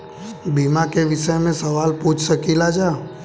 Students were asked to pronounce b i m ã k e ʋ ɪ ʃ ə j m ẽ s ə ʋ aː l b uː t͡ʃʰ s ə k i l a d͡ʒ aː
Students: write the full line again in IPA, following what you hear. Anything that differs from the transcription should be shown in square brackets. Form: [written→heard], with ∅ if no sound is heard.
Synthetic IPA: b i m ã k e ʋ ɪ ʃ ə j m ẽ s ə ʋ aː l [b→p] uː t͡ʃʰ s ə k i l a d͡ʒ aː